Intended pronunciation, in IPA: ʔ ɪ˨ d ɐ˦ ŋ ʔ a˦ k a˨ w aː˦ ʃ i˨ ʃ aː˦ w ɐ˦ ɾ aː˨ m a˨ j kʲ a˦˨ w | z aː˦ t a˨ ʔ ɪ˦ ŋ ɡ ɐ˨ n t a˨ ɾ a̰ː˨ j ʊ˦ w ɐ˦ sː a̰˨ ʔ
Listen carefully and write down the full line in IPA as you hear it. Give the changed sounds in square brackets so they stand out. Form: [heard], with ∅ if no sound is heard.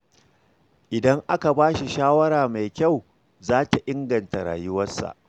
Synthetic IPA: ʔ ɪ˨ d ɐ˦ ŋ ʔ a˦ k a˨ [b] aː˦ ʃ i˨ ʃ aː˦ w ɐ˦ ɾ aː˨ m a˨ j kʲ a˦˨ w | z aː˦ t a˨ ʔ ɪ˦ ŋ ɡ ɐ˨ n t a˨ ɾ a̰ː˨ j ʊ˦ w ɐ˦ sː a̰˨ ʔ